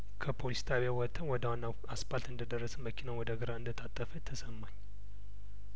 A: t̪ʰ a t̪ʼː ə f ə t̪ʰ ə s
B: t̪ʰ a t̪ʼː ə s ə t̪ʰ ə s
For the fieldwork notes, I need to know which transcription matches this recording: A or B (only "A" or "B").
A